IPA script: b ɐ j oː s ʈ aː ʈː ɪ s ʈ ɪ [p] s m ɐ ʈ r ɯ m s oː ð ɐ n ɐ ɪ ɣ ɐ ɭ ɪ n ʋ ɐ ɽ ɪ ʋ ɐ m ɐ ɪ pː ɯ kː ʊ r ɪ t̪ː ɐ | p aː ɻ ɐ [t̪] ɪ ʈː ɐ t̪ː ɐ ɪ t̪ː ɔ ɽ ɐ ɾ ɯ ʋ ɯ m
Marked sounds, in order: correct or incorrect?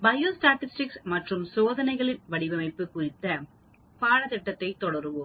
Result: incorrect: k, correct

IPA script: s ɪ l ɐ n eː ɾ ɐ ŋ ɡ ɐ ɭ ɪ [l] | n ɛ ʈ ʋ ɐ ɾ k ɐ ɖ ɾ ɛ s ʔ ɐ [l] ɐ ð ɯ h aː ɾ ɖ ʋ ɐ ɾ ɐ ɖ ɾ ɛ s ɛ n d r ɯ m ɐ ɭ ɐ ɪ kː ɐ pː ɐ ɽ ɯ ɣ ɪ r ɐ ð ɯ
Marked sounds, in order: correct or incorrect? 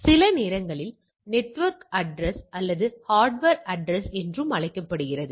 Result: correct, incorrect: lː

